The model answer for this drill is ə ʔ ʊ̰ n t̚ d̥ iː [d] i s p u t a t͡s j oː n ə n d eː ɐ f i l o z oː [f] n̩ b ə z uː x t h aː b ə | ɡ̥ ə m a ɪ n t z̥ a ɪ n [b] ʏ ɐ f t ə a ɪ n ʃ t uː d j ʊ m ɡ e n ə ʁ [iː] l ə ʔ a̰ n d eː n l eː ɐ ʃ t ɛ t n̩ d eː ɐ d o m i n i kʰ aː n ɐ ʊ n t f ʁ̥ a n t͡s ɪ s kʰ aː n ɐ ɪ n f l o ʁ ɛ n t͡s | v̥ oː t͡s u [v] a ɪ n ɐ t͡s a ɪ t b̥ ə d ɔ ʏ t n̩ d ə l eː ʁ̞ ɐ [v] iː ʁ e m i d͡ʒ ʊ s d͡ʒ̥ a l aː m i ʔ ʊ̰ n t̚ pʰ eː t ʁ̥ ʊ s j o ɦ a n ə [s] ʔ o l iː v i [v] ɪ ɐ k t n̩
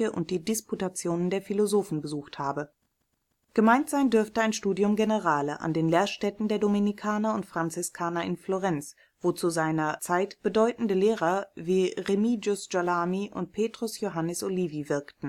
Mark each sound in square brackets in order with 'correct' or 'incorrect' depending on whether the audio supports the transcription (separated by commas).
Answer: correct, correct, incorrect, incorrect, incorrect, correct, correct, correct